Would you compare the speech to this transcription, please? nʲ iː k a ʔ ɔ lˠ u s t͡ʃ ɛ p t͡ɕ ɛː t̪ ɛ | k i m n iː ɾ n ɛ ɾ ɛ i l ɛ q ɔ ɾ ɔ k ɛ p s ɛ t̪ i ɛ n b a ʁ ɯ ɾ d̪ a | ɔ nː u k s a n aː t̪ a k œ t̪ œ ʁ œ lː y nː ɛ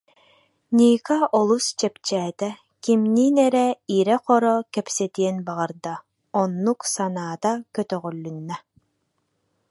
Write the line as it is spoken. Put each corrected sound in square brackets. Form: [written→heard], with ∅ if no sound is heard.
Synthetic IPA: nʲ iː k a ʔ ɔ lˠ u s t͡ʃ ɛ p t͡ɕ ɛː t̪ ɛ | k i m n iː [ɾ→∅] n ɛ ɾ ɛ i [l→ɾ] ɛ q ɔ ɾ ɔ k ɛ p s ɛ t̪ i ɛ n b a ʁ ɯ ɾ d̪ a | ɔ nː u k s a n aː t̪ a k œ t̪ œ ʁ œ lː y nː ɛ